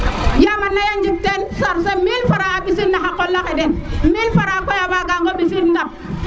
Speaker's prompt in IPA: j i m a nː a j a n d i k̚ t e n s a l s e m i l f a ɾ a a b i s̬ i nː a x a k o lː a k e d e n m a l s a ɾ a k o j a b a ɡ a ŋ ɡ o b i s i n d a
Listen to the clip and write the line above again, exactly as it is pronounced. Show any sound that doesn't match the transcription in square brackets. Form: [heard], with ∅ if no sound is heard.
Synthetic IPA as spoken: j [a] m a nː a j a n [d͡ʒ] i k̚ t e n s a [ɾ] s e m i l f a ɾ a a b i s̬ i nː a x a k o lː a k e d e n m [i] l [f] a ɾ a k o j a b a ɡ a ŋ ɡ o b i s i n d a